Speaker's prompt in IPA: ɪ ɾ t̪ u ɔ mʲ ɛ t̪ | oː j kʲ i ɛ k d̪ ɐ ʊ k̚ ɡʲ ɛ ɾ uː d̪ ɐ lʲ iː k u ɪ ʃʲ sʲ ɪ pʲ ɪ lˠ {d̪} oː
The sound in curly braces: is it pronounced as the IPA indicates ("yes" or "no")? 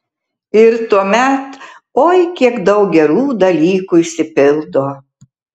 yes